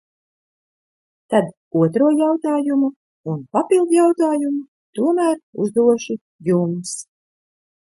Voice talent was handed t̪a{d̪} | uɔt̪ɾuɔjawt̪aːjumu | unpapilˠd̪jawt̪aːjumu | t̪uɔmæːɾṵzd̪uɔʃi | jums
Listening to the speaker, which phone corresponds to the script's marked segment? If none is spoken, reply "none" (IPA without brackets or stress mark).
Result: d̪